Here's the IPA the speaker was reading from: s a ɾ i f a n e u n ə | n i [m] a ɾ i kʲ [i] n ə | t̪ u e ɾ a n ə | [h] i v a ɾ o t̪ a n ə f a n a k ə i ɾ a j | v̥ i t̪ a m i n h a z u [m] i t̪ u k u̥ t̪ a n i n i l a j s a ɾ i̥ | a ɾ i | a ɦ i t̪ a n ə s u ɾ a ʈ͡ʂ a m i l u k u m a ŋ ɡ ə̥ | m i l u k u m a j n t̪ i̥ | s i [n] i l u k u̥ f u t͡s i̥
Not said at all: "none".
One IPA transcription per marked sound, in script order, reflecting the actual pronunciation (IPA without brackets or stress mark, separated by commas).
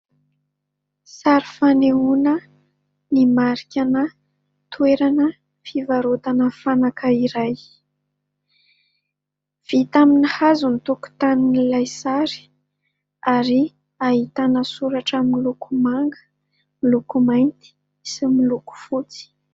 m, a, f, n, m